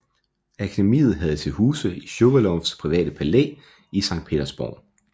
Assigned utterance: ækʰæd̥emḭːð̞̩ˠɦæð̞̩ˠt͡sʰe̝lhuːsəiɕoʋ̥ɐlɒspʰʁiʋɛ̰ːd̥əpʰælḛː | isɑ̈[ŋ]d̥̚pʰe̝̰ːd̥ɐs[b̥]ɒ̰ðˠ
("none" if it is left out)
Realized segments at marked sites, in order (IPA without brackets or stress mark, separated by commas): ŋ, b̥